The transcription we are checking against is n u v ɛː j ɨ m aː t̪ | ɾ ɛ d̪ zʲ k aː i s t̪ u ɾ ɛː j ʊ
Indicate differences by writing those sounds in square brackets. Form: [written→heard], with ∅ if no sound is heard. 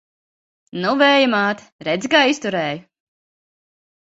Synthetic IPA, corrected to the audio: n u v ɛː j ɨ m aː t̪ | ɾ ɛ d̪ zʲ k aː i s t̪ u ɾ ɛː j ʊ